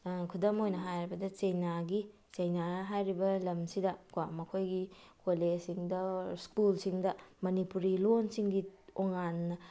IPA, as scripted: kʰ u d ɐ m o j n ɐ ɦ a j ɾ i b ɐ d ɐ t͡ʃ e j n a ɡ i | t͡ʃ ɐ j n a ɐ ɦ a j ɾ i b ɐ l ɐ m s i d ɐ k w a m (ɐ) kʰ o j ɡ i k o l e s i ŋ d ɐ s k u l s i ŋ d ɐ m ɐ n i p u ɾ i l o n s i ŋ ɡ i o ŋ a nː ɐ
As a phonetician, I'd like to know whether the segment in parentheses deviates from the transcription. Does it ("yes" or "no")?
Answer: no